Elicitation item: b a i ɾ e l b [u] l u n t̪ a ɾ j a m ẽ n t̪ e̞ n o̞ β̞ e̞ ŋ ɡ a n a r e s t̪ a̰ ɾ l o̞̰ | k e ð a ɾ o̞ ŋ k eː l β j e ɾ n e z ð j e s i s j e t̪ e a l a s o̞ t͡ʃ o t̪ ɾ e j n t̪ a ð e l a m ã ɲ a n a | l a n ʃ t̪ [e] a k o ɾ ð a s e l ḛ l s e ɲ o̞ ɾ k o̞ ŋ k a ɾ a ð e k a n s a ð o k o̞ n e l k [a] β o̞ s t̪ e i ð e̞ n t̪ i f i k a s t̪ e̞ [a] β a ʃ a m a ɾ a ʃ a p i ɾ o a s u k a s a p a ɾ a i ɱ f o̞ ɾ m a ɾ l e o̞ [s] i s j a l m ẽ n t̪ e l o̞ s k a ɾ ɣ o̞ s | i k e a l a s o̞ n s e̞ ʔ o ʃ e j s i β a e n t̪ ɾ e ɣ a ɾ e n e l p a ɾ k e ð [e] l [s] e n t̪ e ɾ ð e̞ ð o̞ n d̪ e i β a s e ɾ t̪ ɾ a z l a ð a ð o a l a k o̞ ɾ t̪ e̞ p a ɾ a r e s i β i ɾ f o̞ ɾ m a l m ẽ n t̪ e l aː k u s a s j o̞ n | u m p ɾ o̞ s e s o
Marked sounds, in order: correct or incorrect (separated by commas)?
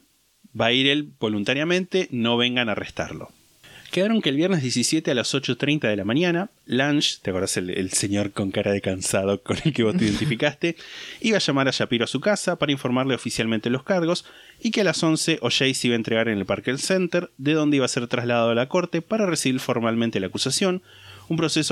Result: incorrect, correct, incorrect, incorrect, incorrect, correct, correct